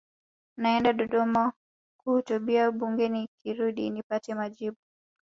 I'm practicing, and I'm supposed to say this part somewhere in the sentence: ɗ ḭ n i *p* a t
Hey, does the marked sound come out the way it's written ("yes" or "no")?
yes